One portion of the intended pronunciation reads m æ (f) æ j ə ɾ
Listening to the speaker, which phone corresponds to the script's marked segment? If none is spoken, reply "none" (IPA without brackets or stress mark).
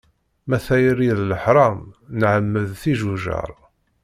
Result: θ